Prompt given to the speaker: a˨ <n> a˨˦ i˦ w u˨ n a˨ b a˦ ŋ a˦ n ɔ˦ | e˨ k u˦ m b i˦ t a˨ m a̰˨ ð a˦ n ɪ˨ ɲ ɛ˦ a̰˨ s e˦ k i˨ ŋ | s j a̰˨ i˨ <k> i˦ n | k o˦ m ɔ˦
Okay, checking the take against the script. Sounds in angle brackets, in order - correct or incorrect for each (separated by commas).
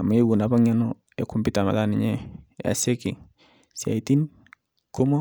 incorrect, incorrect